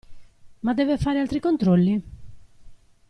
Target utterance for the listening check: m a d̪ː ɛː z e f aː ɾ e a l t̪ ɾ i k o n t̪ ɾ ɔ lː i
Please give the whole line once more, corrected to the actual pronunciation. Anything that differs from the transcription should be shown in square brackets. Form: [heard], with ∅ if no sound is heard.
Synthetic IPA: m a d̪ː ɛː [v] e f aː ɾ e a l t̪ ɾ i k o n t̪ ɾ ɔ lː i